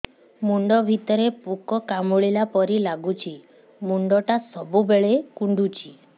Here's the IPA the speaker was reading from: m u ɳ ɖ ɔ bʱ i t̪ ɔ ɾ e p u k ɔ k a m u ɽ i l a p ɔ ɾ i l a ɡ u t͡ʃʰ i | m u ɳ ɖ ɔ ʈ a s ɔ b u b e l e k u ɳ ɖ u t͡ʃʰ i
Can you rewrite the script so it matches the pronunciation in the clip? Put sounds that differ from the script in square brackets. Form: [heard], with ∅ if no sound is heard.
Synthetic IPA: m u ɳ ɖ ɔ bʱ i t̪ ɔ ɾ e p u k ɔ k a m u [ɭ] i l a p ɔ ɾ i l a ɡ u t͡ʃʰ i | m u ɳ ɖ ɔ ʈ a s ɔ b u b e [ɭ] e k u ɳ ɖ u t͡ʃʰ i